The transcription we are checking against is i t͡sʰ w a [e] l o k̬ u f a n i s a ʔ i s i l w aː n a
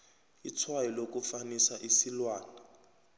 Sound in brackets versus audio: incorrect: i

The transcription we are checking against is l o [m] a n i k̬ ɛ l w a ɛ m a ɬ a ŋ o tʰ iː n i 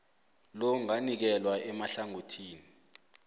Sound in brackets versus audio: incorrect: ŋ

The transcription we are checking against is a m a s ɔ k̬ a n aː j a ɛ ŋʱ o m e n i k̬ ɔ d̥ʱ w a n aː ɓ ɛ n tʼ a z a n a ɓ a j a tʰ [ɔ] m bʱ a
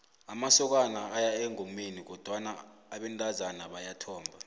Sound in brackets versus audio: incorrect: ɔː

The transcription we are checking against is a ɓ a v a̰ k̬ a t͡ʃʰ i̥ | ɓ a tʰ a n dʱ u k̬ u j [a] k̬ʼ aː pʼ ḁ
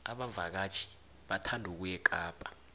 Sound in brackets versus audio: incorrect: ɛ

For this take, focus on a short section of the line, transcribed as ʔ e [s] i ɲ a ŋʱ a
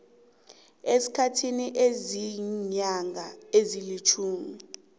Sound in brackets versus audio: incorrect: z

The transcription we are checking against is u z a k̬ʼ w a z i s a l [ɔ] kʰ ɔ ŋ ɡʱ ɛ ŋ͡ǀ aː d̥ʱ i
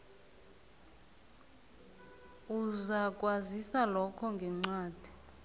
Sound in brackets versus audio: correct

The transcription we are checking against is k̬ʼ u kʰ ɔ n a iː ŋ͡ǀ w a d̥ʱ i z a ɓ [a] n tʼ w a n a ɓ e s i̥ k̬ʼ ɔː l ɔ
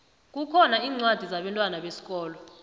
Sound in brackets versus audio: incorrect: ɛ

